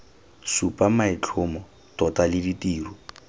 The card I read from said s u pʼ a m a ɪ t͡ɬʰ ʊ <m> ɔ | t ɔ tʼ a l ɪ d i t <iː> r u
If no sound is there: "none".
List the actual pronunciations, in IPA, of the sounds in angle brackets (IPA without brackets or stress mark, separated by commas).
m, iː